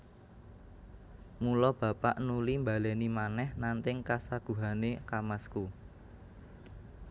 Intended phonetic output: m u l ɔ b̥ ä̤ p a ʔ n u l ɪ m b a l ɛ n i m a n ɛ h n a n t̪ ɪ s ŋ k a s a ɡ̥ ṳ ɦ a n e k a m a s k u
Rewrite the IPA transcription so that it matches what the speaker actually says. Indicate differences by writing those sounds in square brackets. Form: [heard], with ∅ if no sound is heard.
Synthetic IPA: m u l ɔ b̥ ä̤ p a ʔ n u l [i] m b a l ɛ n i m a n ɛ h n a n t̪ ɪ [∅] ŋ k a s a ɡ̥ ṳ ɦ a n e k a m a s k u

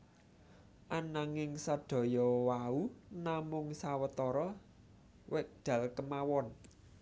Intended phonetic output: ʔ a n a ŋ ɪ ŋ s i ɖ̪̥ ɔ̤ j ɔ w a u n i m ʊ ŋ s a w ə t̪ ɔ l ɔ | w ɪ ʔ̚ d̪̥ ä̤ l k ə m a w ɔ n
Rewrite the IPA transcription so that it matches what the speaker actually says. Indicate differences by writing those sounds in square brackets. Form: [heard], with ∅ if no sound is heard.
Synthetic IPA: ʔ a n a ŋ ɪ ŋ s [a] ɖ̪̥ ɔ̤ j ɔ w a u n [a] m ʊ ŋ s a w ə t̪ ɔ [ɾ] ɔ | w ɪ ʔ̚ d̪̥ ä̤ l k ə m a w ɔ n

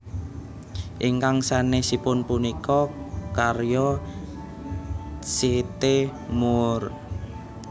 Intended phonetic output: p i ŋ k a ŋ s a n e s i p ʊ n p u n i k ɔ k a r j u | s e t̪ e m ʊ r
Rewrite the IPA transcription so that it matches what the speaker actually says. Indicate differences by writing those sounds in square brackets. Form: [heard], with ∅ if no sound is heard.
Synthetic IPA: [ʔ] i ŋ k a ŋ s a n e s i p ʊ n p u n i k ɔ k a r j [ɔ] | s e t̪ e m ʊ r

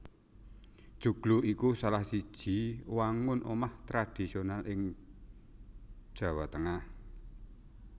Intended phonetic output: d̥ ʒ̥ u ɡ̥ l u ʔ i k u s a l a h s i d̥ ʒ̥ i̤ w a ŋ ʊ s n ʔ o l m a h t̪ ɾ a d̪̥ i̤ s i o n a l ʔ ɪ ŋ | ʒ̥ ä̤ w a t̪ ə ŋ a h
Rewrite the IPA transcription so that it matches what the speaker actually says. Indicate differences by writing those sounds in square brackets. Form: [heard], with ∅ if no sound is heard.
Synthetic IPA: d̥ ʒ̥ u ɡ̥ l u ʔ i k u s a l a h s i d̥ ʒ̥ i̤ w a ŋ ʊ [∅] n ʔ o [∅] m a h t̪ ɾ a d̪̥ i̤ s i o n a l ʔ ɪ ŋ | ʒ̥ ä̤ w a t̪ ə ŋ a h

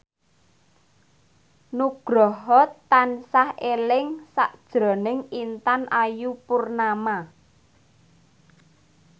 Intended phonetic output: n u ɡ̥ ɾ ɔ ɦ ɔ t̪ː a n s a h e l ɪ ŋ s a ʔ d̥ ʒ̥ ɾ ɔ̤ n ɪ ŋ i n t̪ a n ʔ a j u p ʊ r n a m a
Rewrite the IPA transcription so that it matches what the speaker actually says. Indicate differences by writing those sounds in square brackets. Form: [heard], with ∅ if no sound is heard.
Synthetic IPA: n u ɡ̥ ɾ ɔ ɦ ɔ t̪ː a n s a h e l ɪ ŋ s a ʔ d̥ ʒ̥ ɾ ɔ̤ n ɪ ŋ i n t̪ a n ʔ a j u p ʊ r n a m a

